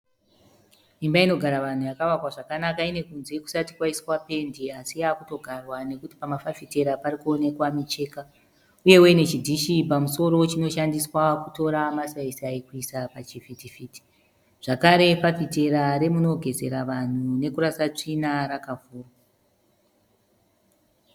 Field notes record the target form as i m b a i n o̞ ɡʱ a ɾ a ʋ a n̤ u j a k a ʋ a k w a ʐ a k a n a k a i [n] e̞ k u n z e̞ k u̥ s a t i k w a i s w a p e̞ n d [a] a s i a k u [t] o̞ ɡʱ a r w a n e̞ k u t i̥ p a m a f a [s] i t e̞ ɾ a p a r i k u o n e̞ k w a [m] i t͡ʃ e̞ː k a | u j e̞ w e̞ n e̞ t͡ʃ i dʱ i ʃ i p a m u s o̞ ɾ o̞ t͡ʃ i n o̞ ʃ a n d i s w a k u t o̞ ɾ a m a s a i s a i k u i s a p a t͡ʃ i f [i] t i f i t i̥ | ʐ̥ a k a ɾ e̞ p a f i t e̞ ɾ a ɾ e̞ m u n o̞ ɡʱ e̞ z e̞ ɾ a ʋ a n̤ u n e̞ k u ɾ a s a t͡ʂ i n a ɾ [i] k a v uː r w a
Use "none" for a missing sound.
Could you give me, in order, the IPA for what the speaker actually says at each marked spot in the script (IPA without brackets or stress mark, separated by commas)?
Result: n, i, t, f, m, i, a